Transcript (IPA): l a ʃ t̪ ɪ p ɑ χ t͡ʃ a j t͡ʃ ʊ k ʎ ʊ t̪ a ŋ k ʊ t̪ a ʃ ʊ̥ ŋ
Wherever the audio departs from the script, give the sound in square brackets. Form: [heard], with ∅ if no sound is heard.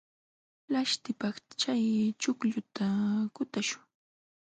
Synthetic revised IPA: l a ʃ t̪ ɪ p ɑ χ t͡ʃ a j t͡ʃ ʊ k ʎ ʊ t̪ a [∅] k ʊ t̪ a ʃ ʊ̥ ŋ